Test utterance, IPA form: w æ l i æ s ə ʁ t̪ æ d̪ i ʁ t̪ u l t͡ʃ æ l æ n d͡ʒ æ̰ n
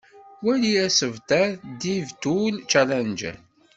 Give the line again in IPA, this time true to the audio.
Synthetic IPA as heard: w æ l i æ s ə v t̪ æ d̪ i v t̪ u l t͡ʃ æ l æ n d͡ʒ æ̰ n